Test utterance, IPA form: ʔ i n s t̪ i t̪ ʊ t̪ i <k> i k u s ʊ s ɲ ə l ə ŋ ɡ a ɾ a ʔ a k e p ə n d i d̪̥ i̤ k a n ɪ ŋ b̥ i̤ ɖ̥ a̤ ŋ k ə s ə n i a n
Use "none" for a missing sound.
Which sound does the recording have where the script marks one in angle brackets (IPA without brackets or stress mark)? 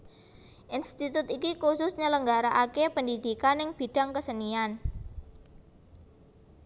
k